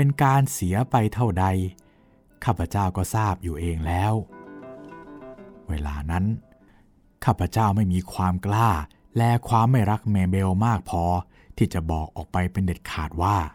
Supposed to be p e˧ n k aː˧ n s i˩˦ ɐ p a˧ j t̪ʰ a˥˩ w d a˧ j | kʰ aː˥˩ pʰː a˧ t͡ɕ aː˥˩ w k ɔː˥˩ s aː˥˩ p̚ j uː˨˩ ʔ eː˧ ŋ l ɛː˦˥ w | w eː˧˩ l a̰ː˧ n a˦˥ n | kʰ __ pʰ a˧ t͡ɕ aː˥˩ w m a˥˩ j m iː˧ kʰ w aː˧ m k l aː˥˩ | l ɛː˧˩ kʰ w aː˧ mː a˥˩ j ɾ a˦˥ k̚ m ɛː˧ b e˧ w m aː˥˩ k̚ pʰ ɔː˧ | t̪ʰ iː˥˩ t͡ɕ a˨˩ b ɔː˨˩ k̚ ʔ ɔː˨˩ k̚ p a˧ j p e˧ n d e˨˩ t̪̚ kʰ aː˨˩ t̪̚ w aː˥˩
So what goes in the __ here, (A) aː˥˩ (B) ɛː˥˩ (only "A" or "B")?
A